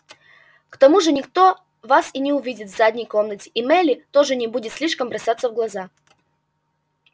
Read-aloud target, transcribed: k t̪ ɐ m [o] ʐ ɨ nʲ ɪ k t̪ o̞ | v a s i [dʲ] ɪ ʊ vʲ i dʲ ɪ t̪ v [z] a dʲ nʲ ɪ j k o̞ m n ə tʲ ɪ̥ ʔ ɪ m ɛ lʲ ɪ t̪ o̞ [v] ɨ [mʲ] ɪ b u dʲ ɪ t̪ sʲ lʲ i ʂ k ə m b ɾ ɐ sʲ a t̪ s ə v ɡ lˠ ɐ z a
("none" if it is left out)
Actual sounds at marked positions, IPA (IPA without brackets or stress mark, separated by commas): u, nʲ, z, ʐ, nʲ